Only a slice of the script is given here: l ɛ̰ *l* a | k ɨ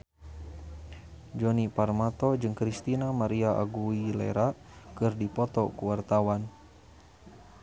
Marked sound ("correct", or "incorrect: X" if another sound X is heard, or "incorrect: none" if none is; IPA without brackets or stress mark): incorrect: ɾ